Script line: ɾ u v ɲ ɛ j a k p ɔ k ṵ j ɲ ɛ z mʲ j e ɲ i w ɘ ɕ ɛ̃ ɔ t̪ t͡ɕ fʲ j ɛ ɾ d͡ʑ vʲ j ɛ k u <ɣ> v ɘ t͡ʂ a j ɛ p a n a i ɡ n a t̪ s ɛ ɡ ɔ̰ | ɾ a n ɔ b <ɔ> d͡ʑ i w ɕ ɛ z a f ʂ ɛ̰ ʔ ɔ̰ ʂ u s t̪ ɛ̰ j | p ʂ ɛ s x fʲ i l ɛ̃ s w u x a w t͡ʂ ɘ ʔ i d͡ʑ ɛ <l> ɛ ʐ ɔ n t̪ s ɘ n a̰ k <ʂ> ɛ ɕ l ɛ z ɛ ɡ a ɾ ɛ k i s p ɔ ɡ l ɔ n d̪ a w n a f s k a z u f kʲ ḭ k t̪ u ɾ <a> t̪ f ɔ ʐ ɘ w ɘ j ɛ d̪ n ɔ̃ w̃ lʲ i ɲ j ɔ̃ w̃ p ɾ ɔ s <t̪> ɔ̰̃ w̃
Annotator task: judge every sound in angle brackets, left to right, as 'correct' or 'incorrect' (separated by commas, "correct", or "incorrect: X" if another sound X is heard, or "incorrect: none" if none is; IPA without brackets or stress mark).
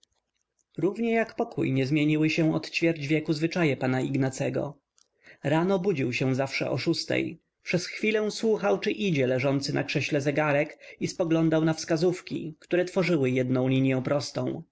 incorrect: z, incorrect: u, correct, correct, incorrect: ɛ, correct